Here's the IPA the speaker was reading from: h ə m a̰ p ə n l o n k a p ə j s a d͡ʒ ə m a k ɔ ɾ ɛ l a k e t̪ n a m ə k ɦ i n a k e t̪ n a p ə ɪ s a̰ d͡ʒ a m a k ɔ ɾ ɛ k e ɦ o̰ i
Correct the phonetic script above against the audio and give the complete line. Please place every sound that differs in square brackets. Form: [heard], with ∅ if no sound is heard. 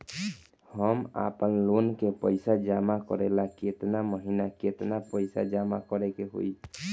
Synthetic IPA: h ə m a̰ p ə n l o n k [e] p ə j s a d͡ʒ [a] m a k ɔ ɾ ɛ l a k e t̪ n a m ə [∅] ɦ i n a k e t̪ n a p ə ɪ s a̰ d͡ʒ a m a k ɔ ɾ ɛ k e ɦ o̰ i

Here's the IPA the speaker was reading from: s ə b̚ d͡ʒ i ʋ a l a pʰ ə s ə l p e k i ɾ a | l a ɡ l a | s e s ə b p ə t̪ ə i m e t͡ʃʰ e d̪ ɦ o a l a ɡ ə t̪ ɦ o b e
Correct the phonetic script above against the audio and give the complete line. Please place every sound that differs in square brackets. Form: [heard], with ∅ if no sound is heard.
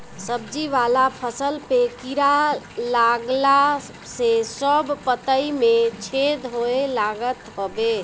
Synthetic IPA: s ə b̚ d͡ʒ i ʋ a l a pʰ ə s ə l p e k i ɾ a | l a ɡ l a | s e s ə b p ə t̪ ə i m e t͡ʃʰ e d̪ ɦ o [e] l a ɡ ə t̪ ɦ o b e

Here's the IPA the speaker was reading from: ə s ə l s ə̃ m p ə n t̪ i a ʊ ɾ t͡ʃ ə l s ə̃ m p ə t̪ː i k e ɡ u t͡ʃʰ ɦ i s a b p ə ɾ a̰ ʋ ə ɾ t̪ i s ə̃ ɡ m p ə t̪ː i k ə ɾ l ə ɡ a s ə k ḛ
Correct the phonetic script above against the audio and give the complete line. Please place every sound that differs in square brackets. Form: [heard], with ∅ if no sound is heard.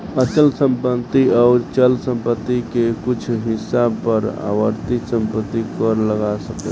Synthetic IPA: ə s ə l s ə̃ m p ə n t̪ i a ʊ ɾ t͡ʃ ə l s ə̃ m p ə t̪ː i k e [k] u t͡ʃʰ ɦ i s a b p ə ɾ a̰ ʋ ə ɾ t̪ i s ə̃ [∅] m p ə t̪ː i k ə ɾ l ə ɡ a s ə k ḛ

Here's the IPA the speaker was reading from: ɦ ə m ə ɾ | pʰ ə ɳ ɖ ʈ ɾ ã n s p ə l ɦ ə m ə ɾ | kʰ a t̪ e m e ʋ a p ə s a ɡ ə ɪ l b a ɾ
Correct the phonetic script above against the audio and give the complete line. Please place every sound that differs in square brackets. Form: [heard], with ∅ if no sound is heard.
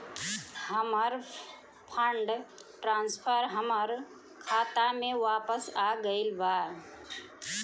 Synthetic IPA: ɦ ə m ə ɾ | pʰ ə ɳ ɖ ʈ ɾ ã n s [pʰ] ə [ɾ] ɦ ə m ə ɾ | kʰ a t̪ [a] m e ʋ a p ə s a ɡ ə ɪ l b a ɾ

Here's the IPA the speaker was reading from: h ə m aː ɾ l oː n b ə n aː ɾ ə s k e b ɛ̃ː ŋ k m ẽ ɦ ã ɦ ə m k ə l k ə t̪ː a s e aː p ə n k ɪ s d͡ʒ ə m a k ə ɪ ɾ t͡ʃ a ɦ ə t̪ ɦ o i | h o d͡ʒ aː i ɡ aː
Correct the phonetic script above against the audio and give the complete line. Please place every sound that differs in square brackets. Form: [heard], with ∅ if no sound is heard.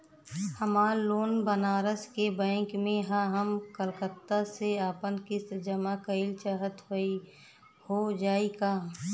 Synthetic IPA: h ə m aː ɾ l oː n b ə n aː ɾ ə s k e b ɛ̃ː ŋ k m ẽ ɦ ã ɦ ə m k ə l k ə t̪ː a s e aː p ə n k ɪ s d͡ʒ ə m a k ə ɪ [l] t͡ʃ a ɦ ə t̪ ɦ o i | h o d͡ʒ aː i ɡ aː

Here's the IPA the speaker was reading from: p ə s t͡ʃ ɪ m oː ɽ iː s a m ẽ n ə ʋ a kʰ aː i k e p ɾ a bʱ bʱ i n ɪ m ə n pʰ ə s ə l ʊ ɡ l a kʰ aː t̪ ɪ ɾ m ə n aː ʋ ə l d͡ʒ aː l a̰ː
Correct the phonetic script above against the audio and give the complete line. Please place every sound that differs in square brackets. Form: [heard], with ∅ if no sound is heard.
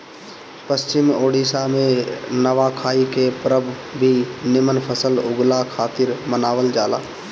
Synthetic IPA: p ə s t͡ʃ ɪ m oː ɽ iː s a m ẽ n ə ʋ a kʰ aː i k e p ɾ [ə] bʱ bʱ i n ɪ m ə n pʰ ə s ə l ʊ ɡ l a kʰ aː t̪ ɪ ɾ m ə n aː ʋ ə l d͡ʒ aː l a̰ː

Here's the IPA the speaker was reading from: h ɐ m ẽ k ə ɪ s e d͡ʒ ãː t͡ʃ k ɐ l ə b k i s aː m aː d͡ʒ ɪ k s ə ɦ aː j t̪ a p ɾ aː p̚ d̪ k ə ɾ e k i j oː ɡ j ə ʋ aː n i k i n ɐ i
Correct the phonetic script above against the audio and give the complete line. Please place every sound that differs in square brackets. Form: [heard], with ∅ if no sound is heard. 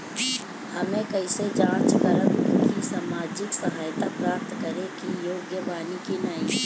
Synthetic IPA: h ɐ m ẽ k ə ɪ s e d͡ʒ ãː t͡ʃ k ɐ l ə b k i s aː m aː d͡ʒ ɪ k s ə ɦ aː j t̪ a p ɾ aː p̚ [t̪] k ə ɾ e k i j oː ɡ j ə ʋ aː n i k i n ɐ i

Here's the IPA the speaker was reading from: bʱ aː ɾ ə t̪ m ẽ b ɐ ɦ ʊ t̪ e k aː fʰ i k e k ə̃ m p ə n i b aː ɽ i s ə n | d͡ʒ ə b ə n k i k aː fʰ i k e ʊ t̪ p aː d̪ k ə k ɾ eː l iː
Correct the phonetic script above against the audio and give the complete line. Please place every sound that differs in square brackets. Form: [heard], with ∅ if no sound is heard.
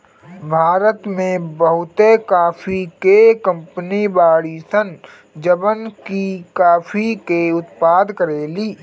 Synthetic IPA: bʱ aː ɾ ə t̪ m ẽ b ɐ ɦ ʊ t̪ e k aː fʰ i k e k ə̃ m p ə n i b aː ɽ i s ə n | d͡ʒ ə b ə n k i k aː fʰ i k e ʊ t̪ p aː d̪ k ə [∅] ɾ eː l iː

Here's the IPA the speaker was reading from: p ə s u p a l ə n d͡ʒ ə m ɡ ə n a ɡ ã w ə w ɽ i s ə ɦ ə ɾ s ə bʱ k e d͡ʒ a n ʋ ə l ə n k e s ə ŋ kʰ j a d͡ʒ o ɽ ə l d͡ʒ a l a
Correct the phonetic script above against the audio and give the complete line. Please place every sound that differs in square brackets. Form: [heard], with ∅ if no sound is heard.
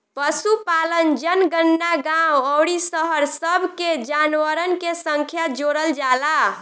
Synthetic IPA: p ə s u p a l ə n d͡ʒ ə [n] ɡ ə [nː] a ɡ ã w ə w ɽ i s ə ɦ ə ɾ s ə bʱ k e d͡ʒ a n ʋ ə [ɾ] ə n k e s ə ŋ kʰ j a d͡ʒ o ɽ ə l d͡ʒ a l a

